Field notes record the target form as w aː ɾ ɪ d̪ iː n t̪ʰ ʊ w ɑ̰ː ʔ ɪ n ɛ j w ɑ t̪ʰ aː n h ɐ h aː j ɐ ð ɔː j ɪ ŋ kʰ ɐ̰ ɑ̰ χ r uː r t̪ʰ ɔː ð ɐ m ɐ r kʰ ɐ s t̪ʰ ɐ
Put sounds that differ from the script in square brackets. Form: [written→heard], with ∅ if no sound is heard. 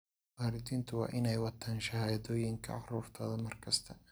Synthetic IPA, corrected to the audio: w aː ɾ ɪ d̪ iː n t̪ʰ ʊ w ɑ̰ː ʔ ɪ n ɛ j w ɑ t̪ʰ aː n [h→ʃ] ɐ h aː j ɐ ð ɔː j ɪ ŋ kʰ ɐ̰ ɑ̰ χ r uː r t̪ʰ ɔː ð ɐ m ɐ r kʰ ɐ s t̪ʰ ɐ